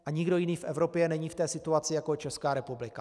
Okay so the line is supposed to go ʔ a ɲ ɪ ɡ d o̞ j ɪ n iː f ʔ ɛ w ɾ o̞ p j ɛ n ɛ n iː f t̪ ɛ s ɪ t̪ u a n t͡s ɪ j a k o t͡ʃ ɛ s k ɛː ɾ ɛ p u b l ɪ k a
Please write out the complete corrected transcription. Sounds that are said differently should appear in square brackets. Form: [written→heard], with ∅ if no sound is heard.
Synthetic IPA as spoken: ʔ a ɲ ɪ ɡ d o̞ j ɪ n iː f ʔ ɛ [w→v] ɾ o̞ p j ɛ n ɛ [n→ɲ] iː f t̪ [ɛ→ɛː] s ɪ t̪ u a [n→∅] t͡s ɪ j a k o t͡ʃ ɛ s k [ɛː→aː] ɾ ɛ p u b l ɪ k a